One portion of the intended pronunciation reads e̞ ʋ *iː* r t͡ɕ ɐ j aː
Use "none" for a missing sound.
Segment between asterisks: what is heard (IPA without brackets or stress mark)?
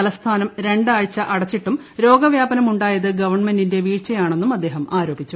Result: iː